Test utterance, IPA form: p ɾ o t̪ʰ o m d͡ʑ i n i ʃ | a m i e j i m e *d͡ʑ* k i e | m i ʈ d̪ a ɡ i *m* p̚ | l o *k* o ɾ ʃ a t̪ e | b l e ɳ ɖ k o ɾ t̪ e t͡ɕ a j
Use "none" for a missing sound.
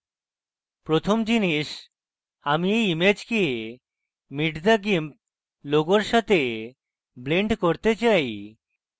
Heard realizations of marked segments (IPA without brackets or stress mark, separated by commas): d͡ʑ, m, ɡ